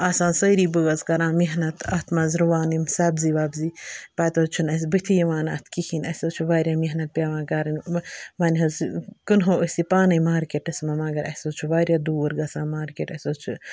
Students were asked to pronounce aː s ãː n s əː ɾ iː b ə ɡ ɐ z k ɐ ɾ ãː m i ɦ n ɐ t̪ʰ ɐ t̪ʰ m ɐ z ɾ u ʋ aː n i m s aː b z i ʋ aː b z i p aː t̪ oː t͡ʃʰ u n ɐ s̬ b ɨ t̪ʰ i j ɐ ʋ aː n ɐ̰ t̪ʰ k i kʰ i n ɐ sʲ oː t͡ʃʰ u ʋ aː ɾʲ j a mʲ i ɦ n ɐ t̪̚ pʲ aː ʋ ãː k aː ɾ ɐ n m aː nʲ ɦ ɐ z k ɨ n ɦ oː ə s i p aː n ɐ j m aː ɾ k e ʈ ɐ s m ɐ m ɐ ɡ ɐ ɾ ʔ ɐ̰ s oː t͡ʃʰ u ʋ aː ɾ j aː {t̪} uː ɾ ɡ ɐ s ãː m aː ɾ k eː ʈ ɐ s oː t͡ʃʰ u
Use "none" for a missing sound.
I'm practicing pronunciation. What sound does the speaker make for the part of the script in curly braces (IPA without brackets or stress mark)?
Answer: d̪